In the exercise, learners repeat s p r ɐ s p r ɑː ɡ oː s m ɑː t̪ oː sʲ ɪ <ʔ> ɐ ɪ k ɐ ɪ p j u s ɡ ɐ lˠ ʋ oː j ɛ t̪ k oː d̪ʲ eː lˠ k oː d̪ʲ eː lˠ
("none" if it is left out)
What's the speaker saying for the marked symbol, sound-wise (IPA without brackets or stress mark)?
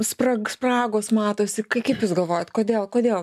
k